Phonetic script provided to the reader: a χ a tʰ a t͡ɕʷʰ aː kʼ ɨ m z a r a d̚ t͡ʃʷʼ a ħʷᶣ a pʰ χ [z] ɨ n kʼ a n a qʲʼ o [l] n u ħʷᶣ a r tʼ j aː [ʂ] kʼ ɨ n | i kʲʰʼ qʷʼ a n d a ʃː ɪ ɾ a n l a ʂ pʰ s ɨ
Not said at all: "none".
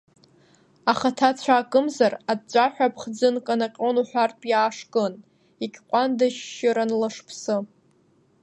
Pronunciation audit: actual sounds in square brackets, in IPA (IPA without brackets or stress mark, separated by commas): d͡z, none, ʂ